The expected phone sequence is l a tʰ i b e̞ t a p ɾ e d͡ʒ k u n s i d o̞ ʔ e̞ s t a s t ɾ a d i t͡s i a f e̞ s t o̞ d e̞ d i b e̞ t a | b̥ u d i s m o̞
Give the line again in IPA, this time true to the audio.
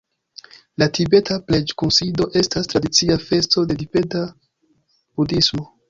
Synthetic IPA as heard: l a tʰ i b e̞ t a p l e d͡ʒ k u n s i d o̞ ʔ e̞ s t a s t ɾ a d i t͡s i a f e̞ s t o̞ d e̞ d i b e̞ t a | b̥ u d i s m o̞